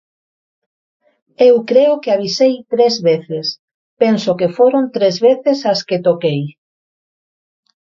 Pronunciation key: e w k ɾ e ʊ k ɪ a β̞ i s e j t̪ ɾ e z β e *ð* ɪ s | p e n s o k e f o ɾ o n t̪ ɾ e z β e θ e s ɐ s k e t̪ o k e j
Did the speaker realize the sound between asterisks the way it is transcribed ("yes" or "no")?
no